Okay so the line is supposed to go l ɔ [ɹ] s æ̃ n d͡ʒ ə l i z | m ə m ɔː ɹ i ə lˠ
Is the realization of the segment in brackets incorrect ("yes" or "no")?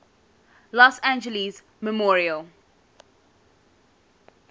yes